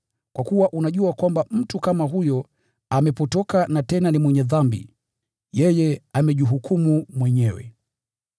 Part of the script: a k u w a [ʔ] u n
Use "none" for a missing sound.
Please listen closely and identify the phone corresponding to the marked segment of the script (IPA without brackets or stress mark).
ʔ